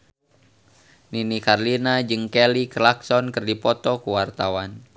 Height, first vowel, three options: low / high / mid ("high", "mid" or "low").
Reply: high